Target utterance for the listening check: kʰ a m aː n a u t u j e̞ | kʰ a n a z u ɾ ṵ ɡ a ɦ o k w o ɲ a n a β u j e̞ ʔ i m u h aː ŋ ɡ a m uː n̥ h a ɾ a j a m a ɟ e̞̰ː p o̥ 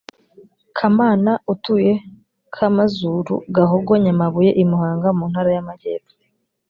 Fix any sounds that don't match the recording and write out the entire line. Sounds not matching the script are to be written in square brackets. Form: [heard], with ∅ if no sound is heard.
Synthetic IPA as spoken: kʰ a m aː n a u t u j e̞ | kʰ a [m] a z u ɾ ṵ ɡ a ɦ o [ɡ] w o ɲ a [m] a β u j e̞ ʔ i m u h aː ŋ ɡ a m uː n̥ h a ɾ a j a m a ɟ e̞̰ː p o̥